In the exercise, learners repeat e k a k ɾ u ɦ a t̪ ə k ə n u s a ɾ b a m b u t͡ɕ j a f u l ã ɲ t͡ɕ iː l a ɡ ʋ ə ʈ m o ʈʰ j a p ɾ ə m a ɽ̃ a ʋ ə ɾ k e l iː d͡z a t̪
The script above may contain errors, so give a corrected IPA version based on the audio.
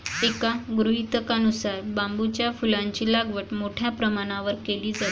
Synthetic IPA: e k a ɡ ɾ u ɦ i t̪ ə k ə n u s a ɾ b a m b u t͡ɕ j a f u l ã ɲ t͡ɕ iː l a ɡ ʋ ə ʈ m o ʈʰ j a p ɾ ə m a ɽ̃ a ʋ ə ɾ k e l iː d͡z a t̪